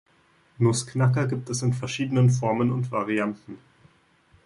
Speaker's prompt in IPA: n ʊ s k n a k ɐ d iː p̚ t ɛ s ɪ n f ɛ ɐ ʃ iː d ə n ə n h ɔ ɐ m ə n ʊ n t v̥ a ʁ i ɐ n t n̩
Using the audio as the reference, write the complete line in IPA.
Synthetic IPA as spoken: n ʊ s k n a k ɐ ɡ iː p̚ t ɛ s ɪ n f ɛ ɐ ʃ iː d ə n ə n f ɔ ɐ m ə n ʊ n t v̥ a ʁ i a n t n̩